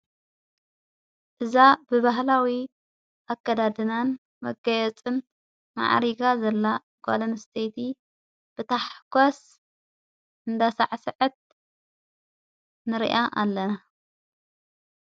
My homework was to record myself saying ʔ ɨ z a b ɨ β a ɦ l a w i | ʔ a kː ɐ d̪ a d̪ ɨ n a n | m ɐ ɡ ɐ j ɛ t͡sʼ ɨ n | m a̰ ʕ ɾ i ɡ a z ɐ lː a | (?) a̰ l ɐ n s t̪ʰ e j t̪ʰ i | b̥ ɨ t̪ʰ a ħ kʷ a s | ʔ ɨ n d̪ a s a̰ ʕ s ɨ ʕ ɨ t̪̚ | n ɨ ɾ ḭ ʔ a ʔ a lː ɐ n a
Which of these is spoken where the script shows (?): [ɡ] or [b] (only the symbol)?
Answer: ɡ